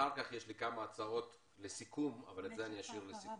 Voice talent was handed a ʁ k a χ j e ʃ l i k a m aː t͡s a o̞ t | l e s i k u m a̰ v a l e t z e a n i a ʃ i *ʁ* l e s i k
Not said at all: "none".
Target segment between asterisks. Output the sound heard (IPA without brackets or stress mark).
ʁ